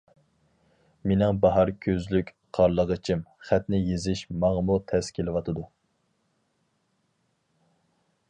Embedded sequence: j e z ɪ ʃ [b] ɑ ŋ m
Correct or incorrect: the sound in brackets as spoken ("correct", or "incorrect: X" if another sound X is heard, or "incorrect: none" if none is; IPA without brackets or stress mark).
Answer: incorrect: m